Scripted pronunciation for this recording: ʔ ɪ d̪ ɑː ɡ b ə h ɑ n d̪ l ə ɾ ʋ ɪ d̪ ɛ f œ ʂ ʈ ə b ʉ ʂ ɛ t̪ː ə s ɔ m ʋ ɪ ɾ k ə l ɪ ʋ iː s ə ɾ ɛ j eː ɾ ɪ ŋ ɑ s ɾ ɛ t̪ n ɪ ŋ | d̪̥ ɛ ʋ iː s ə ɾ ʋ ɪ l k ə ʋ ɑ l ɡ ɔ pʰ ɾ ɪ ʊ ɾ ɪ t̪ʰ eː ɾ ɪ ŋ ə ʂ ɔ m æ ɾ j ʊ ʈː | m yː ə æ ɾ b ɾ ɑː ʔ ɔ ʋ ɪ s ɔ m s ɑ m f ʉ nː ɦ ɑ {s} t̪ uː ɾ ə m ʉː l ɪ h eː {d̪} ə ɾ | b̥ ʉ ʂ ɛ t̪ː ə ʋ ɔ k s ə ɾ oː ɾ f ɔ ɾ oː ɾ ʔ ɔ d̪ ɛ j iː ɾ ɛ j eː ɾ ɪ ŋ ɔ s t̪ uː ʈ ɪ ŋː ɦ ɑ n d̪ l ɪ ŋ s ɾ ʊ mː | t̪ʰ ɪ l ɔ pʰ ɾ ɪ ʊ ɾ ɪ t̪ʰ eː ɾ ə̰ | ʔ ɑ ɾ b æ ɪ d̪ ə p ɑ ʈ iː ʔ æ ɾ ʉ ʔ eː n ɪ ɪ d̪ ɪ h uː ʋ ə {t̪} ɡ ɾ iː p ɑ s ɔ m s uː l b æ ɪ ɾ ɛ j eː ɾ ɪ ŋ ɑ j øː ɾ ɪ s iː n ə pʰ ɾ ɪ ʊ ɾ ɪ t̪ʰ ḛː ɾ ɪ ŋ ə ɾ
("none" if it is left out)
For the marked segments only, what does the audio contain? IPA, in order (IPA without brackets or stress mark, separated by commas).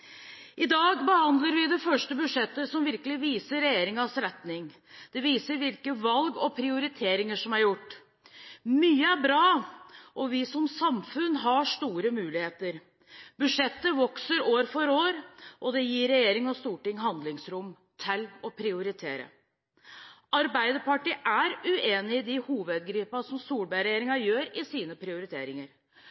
ʂ, t̪, d̪